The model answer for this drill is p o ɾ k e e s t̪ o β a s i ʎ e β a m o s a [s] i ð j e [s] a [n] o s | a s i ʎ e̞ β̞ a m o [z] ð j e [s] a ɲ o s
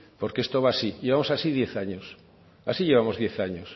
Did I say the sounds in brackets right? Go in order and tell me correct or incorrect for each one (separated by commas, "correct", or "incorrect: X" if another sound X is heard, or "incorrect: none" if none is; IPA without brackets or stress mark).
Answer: correct, incorrect: θ, incorrect: ɲ, correct, incorrect: θ